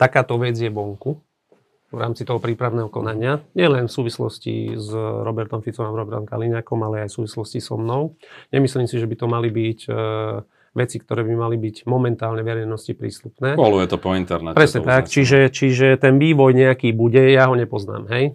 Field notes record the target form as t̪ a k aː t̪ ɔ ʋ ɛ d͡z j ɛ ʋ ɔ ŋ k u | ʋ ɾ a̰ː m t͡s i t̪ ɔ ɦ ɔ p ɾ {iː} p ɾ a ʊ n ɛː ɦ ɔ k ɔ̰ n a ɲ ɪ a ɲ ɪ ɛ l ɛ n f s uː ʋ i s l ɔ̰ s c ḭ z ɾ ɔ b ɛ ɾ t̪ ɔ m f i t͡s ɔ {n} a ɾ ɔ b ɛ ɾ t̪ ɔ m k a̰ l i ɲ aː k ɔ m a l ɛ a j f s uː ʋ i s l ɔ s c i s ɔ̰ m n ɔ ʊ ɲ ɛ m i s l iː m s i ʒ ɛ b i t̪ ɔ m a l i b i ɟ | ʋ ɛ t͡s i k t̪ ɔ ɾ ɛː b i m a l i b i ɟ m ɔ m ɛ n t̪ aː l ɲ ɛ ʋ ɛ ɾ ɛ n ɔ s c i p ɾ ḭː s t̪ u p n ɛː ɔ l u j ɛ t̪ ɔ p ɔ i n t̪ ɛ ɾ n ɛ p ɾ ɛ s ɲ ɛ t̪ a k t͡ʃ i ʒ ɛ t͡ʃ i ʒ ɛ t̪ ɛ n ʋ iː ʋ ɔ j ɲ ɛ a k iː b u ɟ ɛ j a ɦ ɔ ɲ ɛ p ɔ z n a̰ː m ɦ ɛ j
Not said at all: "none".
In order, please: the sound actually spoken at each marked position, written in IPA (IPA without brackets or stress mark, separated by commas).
iː, m